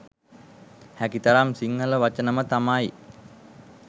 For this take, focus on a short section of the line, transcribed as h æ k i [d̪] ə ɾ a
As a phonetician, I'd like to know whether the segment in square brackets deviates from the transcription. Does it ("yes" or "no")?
yes